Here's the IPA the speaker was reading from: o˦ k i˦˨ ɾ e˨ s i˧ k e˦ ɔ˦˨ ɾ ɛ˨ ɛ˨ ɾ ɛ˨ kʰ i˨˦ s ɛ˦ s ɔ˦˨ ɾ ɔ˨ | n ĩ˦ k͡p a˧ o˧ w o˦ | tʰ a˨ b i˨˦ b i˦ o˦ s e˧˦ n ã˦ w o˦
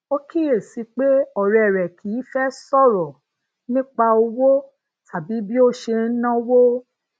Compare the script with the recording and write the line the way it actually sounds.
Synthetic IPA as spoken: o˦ k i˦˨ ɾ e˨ s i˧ k͡p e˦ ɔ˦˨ ɾ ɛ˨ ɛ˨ ɾ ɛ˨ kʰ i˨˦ f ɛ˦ s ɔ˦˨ ɾ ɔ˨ | n ĩ˦ k͡p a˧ o˧ w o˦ | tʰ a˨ b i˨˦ b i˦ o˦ ʃ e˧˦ n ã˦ w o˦

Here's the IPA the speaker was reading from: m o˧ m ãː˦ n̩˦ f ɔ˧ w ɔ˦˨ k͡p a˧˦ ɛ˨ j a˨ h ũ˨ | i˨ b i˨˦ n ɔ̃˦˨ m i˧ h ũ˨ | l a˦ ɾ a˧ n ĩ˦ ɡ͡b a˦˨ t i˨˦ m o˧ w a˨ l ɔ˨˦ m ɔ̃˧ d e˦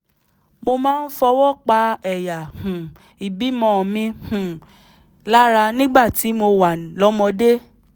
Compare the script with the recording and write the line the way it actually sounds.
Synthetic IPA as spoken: m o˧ m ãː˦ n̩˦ f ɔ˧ w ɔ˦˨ k͡p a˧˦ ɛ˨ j a˨ h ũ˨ | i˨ b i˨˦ m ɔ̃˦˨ m ĩ˧ h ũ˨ | l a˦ ɾ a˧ n ĩ˦ ɡ͡b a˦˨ t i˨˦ m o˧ w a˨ l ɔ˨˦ m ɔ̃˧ d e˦

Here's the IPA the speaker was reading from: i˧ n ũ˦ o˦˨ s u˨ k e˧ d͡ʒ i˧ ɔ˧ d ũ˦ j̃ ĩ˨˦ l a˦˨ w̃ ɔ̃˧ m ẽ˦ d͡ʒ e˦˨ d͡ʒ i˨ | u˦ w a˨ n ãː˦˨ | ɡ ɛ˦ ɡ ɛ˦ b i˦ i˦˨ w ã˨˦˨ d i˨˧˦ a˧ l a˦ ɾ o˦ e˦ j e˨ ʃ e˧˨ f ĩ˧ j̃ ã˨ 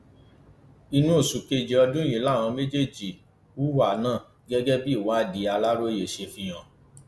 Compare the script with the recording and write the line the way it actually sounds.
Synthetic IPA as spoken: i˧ n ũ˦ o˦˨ s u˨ k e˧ d͡ʒ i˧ ɔ˧ d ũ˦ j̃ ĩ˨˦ l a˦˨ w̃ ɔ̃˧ m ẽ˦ d͡ʒ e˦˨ d͡ʒ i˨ | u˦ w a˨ n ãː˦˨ | ɡ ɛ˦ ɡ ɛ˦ b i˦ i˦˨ w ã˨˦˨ d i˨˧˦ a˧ l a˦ ɾ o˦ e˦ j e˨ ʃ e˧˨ f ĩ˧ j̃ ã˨

